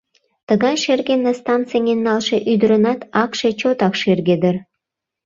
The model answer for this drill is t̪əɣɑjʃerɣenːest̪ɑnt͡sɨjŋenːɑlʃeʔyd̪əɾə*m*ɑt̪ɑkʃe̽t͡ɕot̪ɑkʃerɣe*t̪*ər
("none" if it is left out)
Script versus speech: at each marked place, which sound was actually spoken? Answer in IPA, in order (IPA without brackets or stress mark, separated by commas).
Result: n, d̪